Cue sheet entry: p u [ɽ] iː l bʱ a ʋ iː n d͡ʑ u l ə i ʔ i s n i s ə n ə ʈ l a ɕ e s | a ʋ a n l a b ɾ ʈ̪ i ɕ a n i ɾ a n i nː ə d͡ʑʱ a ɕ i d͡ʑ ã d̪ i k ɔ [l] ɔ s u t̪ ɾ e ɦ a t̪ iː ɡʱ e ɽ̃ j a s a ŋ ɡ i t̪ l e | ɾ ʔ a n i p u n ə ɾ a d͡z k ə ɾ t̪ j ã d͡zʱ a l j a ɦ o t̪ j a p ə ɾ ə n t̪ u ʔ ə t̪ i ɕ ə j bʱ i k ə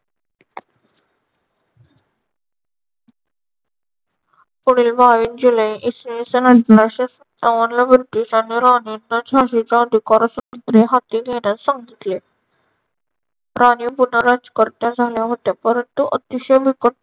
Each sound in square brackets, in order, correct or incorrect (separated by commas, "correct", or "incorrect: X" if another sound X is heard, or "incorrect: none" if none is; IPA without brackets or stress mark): correct, incorrect: ɾ